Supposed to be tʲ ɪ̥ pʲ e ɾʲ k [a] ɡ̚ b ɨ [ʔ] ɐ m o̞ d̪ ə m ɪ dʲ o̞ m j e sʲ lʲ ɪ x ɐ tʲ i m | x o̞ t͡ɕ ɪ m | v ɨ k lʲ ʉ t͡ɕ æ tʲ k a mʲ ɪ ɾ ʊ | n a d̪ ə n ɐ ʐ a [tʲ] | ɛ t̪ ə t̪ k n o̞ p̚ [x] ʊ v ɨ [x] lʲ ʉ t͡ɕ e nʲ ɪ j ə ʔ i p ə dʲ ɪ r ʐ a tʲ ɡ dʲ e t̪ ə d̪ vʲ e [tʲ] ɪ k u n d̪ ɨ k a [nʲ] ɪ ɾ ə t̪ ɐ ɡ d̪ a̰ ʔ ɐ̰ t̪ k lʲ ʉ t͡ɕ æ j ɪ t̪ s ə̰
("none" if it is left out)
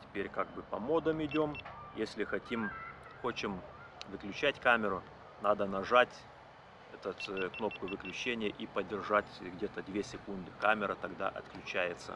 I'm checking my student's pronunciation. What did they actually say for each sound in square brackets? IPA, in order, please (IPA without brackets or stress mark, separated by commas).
a, p, tʲ, k, k, sʲ, mʲ